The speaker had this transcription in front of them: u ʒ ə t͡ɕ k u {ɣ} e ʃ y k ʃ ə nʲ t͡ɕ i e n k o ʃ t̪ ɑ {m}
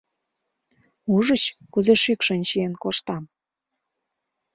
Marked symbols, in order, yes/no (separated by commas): no, yes